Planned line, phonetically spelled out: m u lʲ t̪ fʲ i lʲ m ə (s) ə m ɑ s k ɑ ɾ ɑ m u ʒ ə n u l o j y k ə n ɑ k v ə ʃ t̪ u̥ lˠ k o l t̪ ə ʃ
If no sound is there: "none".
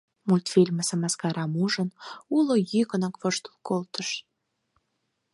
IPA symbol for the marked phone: s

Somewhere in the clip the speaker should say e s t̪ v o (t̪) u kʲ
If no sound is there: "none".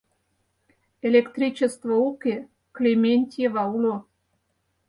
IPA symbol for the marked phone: none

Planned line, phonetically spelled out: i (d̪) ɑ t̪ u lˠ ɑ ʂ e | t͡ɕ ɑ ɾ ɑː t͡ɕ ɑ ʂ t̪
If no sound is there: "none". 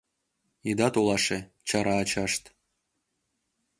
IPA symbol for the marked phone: d̪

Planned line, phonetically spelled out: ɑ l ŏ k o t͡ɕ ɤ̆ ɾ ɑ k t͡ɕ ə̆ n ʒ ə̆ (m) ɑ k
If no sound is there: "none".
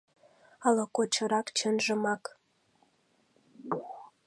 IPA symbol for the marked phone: m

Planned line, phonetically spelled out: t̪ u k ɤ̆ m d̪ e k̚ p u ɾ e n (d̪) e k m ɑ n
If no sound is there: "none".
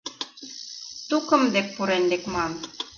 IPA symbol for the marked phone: d̪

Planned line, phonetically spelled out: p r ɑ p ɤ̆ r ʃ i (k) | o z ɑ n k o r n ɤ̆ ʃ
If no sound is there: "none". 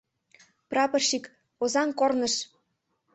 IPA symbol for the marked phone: k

